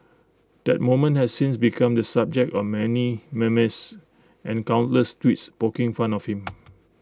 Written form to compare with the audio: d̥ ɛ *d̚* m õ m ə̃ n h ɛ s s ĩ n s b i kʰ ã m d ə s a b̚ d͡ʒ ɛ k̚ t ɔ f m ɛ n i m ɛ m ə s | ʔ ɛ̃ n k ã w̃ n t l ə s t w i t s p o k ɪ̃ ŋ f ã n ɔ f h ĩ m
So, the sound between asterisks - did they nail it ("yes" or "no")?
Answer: no